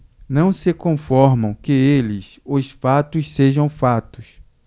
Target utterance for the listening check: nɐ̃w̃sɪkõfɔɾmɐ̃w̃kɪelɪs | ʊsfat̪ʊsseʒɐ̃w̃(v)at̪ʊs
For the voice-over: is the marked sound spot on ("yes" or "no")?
no